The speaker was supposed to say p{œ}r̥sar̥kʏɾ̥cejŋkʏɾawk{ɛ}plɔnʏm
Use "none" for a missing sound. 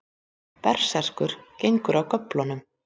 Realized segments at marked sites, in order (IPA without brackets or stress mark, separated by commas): ɛ, œ